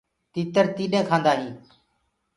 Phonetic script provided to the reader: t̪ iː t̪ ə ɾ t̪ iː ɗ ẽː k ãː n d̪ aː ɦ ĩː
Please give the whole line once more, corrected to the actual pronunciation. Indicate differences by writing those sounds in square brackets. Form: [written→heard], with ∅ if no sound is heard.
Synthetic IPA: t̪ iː t̪ ə ɾ t̪ iː ɗ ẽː [k→kʰ] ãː n d̪ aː ɦ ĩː